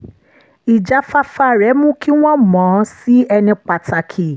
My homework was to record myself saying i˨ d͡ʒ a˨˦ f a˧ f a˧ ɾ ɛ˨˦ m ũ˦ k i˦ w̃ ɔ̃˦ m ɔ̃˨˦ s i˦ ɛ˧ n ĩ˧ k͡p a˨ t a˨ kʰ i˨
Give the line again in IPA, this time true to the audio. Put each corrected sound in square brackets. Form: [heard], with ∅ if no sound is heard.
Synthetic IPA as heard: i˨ d͡ʒ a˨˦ f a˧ f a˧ ɾ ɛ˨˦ m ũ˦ k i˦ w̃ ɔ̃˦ m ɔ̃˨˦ s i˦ ɛ˧ n ĩ˧ k͡p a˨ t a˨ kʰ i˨